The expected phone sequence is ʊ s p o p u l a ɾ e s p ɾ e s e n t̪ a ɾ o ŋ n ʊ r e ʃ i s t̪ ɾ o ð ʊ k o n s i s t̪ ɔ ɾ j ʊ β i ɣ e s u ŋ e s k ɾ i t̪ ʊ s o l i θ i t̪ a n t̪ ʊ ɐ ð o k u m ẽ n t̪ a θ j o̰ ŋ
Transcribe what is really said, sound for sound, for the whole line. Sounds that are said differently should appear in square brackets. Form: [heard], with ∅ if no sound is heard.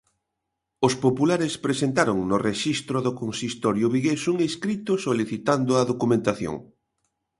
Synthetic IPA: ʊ s p o p u l a ɾ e s p ɾ e s e n t̪ a ɾ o ŋ n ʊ r e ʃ i s t̪ ɾ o ð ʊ k o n s i s t̪ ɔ ɾ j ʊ β i ɣ e s u ŋ e s k ɾ i t̪ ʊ s o l i θ i t̪ a n [d̪] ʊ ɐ ð o k u m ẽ n t̪ a θ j o̰ ŋ